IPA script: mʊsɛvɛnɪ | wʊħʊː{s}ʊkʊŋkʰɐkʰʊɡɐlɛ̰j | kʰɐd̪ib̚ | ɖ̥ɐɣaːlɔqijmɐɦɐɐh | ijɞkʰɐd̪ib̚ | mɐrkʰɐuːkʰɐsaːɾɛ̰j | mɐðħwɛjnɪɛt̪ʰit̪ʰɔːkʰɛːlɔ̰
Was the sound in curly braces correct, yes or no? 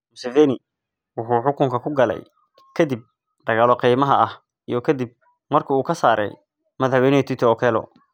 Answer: no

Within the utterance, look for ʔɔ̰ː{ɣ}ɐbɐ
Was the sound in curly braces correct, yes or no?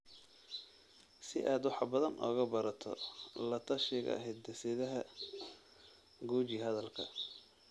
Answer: yes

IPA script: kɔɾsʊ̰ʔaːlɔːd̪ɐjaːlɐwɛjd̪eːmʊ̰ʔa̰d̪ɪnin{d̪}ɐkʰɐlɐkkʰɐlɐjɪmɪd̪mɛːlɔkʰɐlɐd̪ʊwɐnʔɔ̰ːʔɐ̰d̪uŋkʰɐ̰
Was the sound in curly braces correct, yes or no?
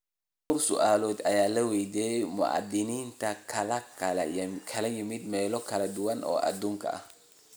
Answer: no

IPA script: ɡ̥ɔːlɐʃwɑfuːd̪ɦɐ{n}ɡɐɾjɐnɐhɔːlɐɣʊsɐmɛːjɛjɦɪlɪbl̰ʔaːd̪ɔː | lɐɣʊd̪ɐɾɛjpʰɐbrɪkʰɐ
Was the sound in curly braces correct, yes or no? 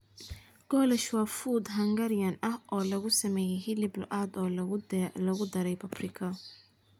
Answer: no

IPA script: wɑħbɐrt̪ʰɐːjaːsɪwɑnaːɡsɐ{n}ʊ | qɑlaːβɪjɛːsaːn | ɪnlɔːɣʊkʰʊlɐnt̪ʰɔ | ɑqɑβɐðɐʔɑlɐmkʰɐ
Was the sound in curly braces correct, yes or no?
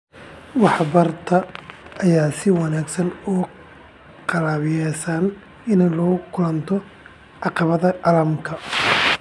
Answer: yes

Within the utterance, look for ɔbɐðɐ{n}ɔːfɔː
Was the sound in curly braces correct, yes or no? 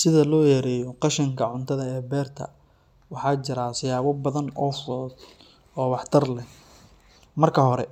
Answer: yes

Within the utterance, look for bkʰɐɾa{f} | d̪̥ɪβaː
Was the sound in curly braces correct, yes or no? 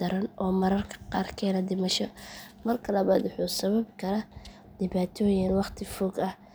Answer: no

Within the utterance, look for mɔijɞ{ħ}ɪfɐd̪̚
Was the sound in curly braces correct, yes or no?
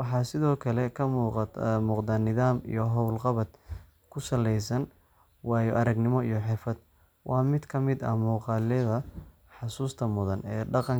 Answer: yes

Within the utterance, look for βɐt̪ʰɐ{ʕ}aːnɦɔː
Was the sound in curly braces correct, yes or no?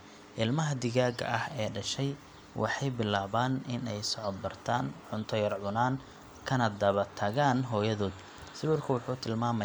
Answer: no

